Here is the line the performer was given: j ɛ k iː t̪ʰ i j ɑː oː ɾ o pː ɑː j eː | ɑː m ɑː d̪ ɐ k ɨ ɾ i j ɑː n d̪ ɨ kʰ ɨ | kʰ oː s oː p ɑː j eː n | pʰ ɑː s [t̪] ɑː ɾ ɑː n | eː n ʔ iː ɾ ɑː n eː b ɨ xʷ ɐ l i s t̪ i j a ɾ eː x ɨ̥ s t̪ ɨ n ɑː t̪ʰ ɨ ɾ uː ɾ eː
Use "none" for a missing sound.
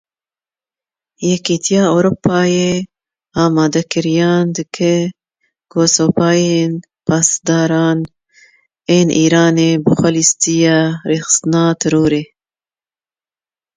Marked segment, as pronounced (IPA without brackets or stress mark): d̪